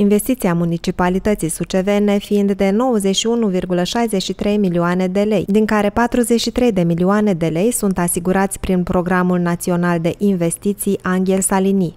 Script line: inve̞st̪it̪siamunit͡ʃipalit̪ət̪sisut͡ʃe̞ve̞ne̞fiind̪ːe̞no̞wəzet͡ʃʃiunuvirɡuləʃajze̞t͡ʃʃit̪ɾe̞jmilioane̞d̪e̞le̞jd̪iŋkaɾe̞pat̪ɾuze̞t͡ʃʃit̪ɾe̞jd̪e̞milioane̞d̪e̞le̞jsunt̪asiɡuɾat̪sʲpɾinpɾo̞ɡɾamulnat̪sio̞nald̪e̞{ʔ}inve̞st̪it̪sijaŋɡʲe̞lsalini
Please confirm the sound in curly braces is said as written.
yes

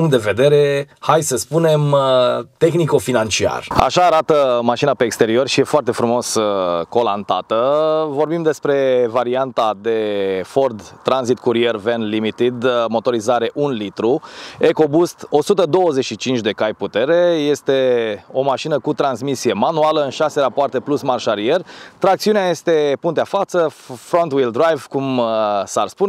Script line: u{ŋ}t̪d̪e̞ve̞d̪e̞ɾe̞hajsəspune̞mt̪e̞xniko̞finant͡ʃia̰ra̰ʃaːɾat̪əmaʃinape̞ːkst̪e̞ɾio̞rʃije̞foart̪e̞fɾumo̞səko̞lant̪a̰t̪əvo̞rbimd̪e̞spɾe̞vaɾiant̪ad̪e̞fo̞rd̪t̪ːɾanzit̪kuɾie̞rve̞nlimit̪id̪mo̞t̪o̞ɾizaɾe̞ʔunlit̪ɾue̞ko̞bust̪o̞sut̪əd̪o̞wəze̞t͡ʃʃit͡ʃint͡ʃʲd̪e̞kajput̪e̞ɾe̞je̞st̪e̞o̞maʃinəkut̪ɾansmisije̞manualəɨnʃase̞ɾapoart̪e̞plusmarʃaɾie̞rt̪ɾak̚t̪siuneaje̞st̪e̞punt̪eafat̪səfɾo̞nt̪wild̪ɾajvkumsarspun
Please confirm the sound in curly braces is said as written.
yes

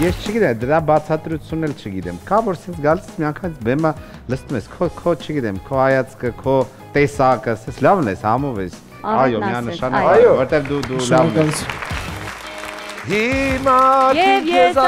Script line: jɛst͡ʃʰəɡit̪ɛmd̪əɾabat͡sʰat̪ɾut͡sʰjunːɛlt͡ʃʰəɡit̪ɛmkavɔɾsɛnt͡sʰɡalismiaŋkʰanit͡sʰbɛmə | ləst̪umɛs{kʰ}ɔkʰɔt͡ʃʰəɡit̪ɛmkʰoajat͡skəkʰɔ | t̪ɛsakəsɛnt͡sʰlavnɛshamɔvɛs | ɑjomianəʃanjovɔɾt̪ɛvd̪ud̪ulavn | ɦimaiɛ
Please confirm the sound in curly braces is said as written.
yes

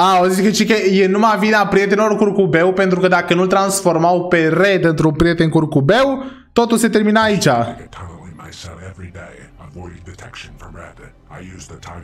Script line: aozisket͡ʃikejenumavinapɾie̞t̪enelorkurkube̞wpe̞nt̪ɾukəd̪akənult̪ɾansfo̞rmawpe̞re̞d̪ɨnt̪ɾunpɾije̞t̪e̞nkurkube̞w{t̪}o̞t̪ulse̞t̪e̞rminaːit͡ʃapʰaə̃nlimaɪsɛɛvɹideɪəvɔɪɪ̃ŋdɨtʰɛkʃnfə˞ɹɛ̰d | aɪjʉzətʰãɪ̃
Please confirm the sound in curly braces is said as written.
yes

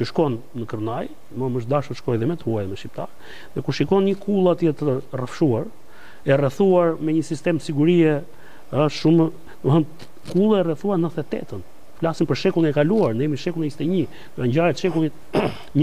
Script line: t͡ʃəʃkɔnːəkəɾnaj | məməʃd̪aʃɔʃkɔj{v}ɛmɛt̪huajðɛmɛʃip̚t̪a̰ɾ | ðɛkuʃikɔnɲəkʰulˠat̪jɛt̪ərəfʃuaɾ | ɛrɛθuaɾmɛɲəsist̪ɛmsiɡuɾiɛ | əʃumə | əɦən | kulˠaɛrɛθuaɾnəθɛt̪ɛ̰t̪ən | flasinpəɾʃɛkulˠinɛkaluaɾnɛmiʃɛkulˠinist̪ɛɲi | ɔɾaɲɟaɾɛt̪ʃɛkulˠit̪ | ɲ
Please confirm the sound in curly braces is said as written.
no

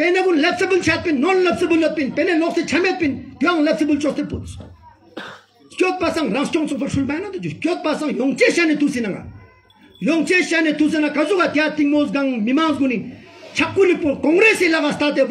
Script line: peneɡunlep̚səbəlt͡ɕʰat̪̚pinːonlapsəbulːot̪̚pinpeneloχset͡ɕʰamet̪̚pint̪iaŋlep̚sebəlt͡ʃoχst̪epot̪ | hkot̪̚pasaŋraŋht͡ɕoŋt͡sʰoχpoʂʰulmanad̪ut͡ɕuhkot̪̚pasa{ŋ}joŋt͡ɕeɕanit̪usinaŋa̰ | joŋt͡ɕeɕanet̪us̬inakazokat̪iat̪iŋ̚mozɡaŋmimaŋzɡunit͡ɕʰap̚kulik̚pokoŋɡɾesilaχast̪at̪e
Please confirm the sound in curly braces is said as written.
yes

